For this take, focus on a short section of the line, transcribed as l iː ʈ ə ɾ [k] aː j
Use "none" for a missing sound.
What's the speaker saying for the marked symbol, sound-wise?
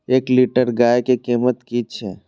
ɡ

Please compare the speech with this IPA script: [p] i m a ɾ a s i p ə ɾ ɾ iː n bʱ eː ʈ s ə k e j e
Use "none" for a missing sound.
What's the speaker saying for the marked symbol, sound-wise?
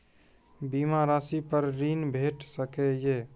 b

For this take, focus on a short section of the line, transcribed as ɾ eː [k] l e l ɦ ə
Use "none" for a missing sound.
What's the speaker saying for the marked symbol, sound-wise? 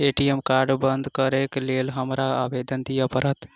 k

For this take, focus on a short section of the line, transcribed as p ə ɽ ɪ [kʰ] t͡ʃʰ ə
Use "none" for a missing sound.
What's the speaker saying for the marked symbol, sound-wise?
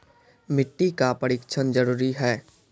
k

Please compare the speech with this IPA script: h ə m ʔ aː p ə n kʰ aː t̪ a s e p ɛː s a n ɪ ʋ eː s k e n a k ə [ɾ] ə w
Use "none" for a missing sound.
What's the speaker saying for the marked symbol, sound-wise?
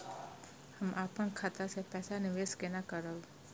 ɾ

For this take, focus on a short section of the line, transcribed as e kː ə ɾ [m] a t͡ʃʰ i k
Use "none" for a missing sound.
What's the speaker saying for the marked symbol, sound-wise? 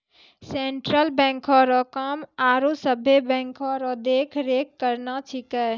n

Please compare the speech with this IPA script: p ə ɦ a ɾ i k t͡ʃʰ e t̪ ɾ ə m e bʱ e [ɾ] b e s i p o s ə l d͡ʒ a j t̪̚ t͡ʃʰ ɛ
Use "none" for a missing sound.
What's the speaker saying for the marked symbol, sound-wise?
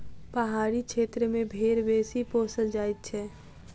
ɾ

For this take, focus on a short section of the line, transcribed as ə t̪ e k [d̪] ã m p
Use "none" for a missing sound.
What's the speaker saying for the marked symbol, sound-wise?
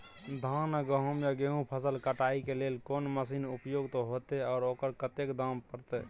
d̪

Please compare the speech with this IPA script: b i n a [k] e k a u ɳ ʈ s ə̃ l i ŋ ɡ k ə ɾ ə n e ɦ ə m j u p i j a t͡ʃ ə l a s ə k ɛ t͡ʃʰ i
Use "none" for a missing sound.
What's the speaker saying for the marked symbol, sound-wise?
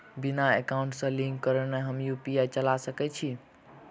none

